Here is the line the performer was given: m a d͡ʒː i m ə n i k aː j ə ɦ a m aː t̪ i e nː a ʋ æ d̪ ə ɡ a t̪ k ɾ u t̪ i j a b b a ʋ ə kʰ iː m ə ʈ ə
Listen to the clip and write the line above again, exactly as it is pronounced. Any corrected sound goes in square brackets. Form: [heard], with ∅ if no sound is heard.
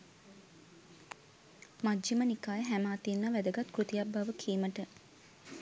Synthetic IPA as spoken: m a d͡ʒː i m ə n i k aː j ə ɦ [æ] m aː t̪ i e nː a ʋ æ d̪ ə ɡ a t̪ k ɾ u t̪ i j a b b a ʋ ə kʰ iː m ə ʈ ə